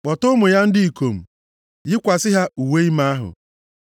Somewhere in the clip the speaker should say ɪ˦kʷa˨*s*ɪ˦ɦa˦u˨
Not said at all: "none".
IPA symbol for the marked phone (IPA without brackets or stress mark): s